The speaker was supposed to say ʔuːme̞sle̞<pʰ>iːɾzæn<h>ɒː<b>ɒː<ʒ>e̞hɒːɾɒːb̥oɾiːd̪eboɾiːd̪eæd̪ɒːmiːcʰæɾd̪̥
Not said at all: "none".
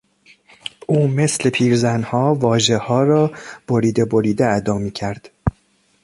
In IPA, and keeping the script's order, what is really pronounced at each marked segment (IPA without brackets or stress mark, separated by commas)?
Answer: pʰ, h, v, ʒ